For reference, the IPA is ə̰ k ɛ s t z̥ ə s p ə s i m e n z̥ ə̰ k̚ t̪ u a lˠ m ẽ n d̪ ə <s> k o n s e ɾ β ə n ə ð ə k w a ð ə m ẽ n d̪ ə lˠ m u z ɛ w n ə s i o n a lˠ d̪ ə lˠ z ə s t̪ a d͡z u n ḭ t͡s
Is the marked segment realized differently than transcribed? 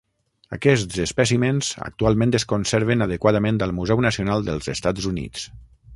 no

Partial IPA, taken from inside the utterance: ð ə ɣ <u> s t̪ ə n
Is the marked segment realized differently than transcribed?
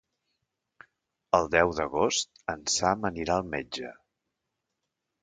yes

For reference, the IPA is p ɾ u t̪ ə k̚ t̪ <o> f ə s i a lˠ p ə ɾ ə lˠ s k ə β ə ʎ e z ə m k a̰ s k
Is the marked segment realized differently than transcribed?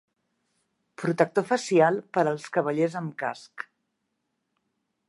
no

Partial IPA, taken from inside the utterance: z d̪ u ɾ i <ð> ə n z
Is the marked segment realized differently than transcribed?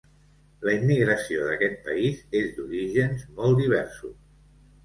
yes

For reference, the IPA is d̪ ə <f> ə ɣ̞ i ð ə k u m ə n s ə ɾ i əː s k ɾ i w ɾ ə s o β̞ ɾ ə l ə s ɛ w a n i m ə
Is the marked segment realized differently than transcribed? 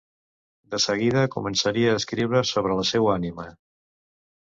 yes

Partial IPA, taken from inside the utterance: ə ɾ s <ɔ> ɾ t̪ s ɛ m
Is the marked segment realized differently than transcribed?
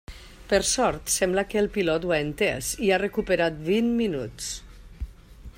no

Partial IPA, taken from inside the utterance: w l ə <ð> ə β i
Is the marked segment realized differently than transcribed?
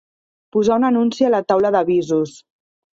no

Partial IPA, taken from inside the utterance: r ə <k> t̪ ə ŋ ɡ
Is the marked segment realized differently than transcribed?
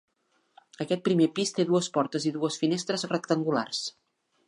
no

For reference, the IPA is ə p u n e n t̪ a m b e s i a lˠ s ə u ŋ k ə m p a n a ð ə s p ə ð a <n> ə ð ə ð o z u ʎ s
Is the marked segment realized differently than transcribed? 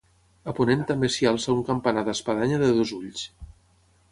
yes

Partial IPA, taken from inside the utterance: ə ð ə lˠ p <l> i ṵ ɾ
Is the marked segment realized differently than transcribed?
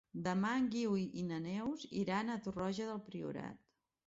yes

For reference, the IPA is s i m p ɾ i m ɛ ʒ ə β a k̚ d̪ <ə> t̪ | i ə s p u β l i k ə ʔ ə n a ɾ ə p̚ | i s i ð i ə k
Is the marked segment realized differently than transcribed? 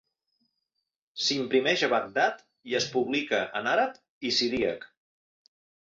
yes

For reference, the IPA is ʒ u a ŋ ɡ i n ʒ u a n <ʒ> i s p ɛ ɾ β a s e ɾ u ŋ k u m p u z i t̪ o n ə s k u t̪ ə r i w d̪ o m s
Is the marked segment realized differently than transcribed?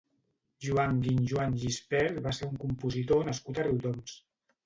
no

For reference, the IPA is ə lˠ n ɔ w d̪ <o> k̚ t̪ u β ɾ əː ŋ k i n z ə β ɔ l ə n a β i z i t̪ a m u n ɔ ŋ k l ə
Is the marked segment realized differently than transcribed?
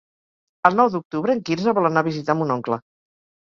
yes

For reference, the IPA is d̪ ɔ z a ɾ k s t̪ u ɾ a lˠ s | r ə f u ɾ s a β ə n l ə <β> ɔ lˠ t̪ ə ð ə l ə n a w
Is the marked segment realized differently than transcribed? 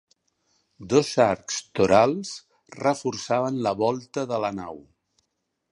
no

